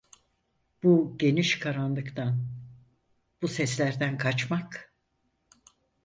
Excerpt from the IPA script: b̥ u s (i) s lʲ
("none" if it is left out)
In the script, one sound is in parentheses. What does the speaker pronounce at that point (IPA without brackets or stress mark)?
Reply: ɛ